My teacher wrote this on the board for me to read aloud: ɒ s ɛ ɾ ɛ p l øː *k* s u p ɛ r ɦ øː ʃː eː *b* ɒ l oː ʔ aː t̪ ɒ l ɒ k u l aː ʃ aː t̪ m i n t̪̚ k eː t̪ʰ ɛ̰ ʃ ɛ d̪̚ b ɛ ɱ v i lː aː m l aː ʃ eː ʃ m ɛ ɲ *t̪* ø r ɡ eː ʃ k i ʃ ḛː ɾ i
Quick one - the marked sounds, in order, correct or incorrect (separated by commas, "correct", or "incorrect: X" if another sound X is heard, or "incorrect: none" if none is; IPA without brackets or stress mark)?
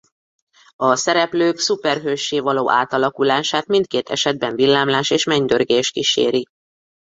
correct, incorrect: v, incorrect: d̪